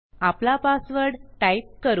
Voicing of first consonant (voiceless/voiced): voiceless